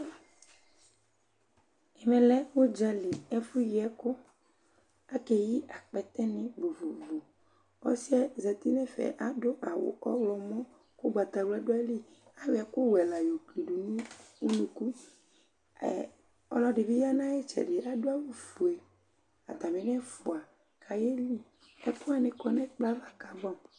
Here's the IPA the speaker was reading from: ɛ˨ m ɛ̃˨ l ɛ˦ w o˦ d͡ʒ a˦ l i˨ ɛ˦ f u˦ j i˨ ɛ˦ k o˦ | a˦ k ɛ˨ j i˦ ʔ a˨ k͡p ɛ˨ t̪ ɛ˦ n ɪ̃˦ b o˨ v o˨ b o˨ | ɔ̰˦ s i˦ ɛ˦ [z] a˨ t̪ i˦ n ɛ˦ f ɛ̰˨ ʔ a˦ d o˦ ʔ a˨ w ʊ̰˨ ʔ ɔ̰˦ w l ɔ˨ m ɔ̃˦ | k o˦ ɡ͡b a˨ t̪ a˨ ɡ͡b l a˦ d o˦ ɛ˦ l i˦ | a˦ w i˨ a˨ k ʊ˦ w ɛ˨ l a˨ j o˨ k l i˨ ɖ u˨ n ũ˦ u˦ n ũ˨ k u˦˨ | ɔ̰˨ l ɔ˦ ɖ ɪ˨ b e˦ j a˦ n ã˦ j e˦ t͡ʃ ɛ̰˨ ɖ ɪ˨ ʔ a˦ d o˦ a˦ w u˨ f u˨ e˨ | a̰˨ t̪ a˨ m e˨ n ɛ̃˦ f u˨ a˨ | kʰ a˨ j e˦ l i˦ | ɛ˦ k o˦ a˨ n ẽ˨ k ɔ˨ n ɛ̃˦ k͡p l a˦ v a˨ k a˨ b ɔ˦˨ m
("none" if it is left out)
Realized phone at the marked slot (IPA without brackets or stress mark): z